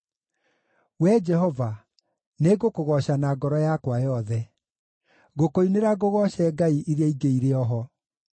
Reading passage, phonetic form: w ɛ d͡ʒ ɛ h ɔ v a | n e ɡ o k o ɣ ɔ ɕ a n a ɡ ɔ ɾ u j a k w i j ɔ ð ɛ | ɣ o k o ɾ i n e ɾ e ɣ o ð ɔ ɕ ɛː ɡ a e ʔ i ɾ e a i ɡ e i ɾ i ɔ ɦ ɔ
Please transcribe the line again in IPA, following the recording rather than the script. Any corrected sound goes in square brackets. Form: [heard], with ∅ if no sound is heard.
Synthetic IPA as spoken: w ɛ d͡ʒ ɛ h ɔ v a | n e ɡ o k o ɣ ɔ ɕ a n a ɡ ɔ ɾ [ɔ] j a k w [a] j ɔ ð ɛ | ɣ o k o [∅] i n e ɾ [a] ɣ o [ɣ] ɔ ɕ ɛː ɡ a [i] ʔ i ɾ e a i ɡ e i ɾ [e] ɔ ɦ ɔ